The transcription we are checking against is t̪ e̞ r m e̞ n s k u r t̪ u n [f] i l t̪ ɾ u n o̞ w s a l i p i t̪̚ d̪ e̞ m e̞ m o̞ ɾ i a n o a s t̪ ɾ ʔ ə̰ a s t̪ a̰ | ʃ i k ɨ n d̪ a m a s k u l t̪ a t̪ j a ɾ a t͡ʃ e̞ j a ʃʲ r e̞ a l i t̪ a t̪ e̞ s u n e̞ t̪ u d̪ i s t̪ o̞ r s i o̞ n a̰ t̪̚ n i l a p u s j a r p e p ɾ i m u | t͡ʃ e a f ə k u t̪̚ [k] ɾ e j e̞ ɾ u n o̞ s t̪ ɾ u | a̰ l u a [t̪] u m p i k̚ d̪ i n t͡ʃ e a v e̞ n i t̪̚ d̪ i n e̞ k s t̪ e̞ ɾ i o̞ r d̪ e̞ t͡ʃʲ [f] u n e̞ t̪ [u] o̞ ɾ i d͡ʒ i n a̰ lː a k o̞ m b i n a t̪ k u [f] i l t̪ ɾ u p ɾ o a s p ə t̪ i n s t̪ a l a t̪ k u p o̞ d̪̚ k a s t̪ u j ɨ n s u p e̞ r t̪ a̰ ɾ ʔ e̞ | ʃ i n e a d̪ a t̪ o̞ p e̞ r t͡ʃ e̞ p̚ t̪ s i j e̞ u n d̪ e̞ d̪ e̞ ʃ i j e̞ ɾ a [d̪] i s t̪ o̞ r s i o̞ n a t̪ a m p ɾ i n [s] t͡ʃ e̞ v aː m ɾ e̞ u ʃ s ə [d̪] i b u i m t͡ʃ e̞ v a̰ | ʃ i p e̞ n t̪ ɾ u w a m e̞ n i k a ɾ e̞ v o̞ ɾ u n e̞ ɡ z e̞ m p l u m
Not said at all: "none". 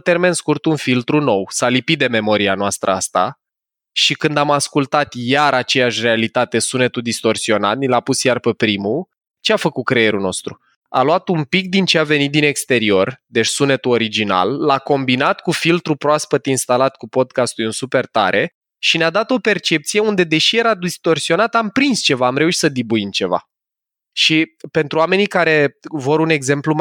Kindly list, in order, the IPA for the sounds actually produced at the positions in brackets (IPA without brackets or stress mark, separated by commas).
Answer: f, k, t̪, s, u, f, d̪, s, d̪